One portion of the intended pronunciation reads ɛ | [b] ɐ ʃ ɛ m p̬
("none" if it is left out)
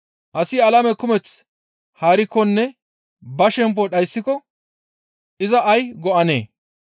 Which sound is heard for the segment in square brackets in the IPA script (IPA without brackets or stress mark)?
b